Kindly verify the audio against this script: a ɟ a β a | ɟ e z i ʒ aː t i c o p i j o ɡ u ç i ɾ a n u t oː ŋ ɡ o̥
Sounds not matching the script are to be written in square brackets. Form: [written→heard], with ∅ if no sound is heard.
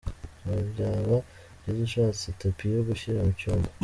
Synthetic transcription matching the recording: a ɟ a β a | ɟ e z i [ʒ→ʃ] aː [t→t͡s] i [c→t] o p i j o ɡ u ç i ɾ a [n→m] u [t→c] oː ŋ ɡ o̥